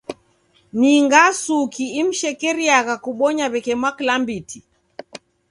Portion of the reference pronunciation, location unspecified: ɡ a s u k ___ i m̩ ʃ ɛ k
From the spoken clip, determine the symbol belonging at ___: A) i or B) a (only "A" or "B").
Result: A